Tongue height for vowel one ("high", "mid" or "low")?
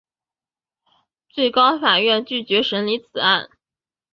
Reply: mid